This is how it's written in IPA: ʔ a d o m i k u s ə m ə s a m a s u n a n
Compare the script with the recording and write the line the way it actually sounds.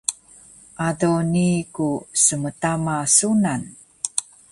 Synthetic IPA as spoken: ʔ a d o n i k u s ə m ə t a m a s u n a n